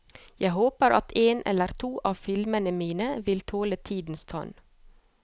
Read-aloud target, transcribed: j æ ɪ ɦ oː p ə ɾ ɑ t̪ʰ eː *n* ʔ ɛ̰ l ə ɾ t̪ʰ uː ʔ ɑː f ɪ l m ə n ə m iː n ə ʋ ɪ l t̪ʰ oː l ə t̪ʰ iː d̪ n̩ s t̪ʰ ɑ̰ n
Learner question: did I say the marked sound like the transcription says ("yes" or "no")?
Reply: yes